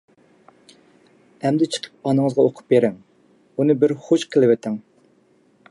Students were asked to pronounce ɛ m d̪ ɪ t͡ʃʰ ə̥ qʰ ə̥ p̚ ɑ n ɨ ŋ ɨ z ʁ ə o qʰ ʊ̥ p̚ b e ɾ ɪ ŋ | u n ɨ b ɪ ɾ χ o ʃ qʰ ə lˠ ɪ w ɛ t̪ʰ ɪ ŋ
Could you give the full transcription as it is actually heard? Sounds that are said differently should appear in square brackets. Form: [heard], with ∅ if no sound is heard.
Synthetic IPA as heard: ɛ m d̪ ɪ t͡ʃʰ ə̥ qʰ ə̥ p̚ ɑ n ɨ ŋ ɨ z ʁ [ɑ] o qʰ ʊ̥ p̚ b e ɾ ɪ ŋ | u n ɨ b ɪ ɾ χ o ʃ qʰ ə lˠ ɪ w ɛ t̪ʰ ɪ ŋ